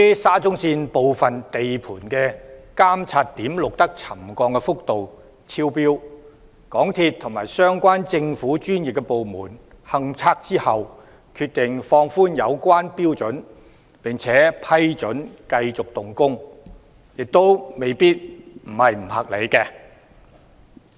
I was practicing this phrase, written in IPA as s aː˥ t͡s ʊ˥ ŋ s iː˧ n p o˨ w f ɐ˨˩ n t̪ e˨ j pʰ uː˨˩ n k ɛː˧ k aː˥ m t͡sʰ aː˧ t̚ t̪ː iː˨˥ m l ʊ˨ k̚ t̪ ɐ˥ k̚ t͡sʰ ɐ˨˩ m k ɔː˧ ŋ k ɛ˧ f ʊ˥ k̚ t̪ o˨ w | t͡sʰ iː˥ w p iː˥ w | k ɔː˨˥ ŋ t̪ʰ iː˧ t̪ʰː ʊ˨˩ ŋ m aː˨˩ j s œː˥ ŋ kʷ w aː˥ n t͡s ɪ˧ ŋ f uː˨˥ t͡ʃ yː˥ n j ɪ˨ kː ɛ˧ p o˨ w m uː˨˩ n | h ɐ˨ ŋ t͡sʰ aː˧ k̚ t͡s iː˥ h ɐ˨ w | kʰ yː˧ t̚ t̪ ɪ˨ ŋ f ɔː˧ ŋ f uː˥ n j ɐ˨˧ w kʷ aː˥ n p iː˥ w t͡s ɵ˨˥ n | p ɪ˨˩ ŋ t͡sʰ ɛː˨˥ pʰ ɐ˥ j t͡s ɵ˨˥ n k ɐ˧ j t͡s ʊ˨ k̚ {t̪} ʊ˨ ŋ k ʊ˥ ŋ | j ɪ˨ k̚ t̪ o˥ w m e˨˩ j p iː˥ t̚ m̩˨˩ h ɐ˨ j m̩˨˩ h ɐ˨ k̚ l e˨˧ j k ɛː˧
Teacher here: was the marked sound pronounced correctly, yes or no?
yes